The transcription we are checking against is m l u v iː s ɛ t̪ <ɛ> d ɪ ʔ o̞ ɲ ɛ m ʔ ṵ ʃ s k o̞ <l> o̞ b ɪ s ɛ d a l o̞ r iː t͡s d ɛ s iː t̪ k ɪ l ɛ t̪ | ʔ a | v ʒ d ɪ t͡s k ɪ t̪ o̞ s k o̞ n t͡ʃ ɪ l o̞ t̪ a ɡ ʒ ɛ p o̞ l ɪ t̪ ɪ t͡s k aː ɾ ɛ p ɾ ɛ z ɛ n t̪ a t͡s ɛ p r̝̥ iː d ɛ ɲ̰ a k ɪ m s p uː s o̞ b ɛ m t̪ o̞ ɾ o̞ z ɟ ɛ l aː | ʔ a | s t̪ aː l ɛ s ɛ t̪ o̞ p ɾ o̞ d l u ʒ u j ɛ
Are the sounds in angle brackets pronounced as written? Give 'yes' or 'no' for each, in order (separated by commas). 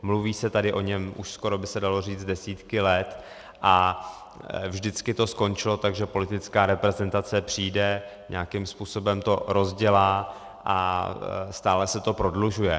no, no